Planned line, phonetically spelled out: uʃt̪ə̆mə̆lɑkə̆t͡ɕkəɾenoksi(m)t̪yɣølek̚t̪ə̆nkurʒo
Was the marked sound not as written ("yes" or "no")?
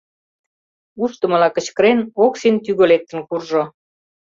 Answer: yes